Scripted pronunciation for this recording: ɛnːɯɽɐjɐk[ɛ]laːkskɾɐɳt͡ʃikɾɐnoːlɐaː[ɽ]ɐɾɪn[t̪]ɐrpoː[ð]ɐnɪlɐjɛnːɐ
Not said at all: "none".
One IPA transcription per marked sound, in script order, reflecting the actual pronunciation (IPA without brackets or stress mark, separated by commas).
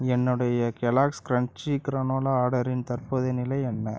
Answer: ɛ, ɽ, t̪, ð